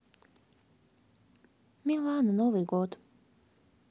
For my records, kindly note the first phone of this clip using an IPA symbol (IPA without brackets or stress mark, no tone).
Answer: m